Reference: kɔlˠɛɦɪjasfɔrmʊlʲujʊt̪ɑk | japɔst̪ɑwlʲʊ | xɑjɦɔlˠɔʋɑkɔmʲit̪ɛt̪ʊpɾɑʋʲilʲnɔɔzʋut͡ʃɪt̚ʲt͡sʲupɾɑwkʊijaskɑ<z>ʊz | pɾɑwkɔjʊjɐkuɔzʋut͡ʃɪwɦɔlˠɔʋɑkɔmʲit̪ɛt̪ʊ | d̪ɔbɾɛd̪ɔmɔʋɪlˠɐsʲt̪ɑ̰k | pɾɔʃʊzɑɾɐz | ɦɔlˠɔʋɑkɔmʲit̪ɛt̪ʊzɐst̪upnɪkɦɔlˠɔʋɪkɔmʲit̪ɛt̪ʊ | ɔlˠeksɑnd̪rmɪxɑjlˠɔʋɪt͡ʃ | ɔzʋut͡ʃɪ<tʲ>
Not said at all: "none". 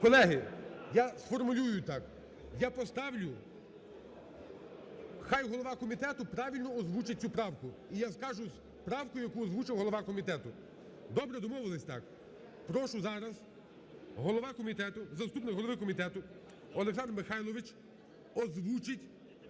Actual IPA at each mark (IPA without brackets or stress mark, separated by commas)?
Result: ʒ, tʲ